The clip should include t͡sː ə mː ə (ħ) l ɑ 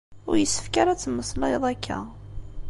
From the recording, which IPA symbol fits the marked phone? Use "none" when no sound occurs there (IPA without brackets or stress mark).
s